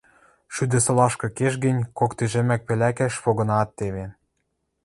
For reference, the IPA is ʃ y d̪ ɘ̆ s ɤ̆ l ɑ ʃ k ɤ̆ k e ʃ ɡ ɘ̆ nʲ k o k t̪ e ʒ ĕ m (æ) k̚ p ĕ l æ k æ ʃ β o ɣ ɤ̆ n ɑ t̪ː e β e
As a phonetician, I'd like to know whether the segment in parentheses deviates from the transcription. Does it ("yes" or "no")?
no